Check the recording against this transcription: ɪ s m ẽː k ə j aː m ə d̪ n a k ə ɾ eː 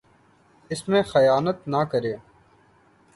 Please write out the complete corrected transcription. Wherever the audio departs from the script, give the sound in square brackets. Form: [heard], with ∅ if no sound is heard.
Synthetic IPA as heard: ɪ s m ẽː [x] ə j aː [n] ə [t̪] n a k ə ɾ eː

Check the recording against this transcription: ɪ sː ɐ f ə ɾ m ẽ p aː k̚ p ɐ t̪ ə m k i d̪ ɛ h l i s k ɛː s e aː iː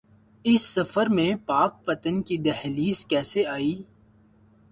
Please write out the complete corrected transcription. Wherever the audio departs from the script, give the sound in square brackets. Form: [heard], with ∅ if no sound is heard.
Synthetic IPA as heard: ɪ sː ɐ f ə ɾ m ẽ p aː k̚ p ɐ t̪ ə [n] k i d̪ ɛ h l [iː] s k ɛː s e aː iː

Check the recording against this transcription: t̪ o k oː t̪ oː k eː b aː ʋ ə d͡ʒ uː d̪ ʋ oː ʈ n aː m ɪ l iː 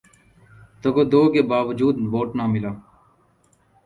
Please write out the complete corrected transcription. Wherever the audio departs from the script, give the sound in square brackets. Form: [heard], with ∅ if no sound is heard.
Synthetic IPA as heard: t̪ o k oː [d̪] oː k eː b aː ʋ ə d͡ʒ uː d̪ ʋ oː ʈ n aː m ɪ l [aː]

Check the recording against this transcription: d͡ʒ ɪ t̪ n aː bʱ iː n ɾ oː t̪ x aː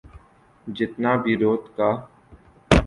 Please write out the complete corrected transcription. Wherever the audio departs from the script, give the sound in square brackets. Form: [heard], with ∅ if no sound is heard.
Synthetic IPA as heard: d͡ʒ ɪ t̪ n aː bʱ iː [∅] ɾ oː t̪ [k] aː

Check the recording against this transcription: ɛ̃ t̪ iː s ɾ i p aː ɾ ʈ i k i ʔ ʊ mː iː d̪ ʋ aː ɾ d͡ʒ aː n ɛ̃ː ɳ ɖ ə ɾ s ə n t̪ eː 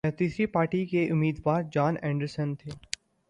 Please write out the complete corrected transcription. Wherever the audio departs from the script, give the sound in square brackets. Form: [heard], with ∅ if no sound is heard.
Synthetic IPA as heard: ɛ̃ t̪ iː s ɾ i p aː ɾ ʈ i k [e] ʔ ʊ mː iː d̪ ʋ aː ɾ d͡ʒ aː n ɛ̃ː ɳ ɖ ə ɾ s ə n [t̪ʰ] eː

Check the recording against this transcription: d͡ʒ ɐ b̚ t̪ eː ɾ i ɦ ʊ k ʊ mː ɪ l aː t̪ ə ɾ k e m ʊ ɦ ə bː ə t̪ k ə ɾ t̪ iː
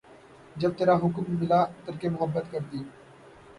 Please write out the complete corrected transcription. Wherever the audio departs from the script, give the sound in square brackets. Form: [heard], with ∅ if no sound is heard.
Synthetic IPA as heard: d͡ʒ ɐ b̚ t̪ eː ɾ [a] ɦ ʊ k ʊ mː ɪ l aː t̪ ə ɾ k e m ʊ ɦ ə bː ə t̪ k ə ɾ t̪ iː

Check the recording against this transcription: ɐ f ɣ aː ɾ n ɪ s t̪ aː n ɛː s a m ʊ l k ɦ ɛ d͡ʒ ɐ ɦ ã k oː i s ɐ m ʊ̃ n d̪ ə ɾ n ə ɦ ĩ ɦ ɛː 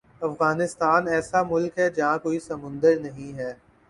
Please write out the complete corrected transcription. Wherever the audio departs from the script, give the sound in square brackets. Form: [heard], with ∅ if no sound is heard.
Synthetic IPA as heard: ɐ f ɣ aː [∅] n ɪ s t̪ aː n ɛː s a m ʊ l k ɦ ɛ d͡ʒ ɐ ɦ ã k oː i s ɐ m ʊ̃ n d̪ ə ɾ n [ɐ] ɦ ĩ ɦ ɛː

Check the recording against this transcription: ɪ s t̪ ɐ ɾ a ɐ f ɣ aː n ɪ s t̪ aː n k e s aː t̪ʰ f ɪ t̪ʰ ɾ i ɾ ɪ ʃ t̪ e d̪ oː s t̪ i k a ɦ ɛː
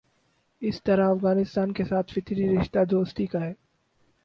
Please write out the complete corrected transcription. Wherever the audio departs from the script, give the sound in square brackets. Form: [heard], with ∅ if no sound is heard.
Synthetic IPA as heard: ɪ s t̪ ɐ ɾ a ɐ f ɣ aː n ɪ s t̪ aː n k e s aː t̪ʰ f ɪ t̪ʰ ɾ i ɾ ɪ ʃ t̪ [a] d̪ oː s t̪ i k a ɦ ɛː

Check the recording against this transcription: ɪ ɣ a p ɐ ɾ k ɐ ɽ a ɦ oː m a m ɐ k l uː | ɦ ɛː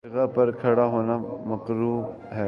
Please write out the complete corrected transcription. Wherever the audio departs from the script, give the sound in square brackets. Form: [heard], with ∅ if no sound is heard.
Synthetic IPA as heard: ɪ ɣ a p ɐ ɾ [kʰ] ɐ ɽ a ɦ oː [n] a m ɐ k [ɾ] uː | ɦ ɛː

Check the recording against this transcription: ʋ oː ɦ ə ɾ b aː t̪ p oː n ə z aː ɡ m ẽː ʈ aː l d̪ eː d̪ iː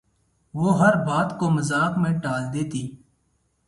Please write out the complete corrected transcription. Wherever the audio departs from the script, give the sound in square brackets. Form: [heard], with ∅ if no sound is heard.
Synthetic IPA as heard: ʋ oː ɦ ə ɾ b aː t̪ [k] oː [m] ə z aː [k] m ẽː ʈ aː l d̪ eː [t̪] iː

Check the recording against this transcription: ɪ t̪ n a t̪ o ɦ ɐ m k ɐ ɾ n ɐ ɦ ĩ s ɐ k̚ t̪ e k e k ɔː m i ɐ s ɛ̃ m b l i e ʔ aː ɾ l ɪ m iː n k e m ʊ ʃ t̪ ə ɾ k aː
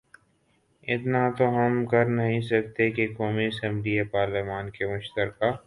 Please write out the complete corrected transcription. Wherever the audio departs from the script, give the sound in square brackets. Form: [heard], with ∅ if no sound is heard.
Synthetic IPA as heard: ɪ t̪ n a t̪ o ɦ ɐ m k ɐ ɾ n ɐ ɦ ĩ s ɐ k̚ t̪ e k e k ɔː m i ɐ s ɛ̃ m b l i e [p] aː ɾ l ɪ m [aː] n k e m ʊ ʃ t̪ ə ɾ k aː

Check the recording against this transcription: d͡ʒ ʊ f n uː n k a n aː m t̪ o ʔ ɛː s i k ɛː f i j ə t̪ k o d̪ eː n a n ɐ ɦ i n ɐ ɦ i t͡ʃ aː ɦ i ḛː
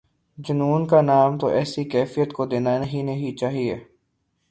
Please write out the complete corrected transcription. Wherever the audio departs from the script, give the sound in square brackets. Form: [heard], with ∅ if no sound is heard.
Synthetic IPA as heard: d͡ʒ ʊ [∅] n uː n k a n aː m t̪ o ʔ ɛː s i k ɛː f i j ə t̪ k o d̪ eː n a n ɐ ɦ i n ɐ ɦ i t͡ʃ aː ɦ i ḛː

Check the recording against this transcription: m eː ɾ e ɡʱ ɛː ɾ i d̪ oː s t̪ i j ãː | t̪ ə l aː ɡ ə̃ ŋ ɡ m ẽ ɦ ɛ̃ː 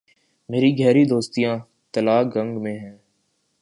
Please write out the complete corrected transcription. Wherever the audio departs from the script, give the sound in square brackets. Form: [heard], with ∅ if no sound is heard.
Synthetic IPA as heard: m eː ɾ [i] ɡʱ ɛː ɾ i d̪ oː s t̪ i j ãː | t̪ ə l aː ɡ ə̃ ŋ ɡ m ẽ ɦ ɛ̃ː

